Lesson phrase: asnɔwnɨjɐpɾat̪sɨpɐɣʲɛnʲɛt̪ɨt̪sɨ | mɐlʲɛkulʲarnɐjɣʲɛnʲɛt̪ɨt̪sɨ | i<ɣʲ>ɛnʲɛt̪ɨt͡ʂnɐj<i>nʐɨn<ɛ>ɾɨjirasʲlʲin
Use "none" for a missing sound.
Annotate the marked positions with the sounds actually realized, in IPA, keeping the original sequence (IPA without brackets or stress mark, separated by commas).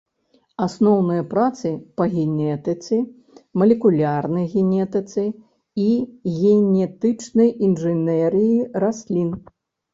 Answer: ɣʲ, i, ɛ